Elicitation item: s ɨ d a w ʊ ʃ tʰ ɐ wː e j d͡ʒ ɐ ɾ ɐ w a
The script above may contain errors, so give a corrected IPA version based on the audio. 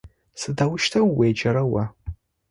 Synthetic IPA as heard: s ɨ d a w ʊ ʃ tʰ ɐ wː e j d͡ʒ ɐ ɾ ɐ w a